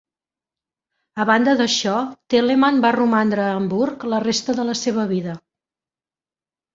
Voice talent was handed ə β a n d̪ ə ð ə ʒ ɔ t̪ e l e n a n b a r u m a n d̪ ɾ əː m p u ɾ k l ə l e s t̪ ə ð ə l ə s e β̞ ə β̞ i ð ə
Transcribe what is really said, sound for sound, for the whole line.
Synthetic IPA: ə β a n d̪ ə ð ə ʃ ɔ t̪ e l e m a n b a r u m a n d̪ ɾ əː m b u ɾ k l ə r e s t̪ ə ð ə l ə s e β̞ ə β̞ i ð ə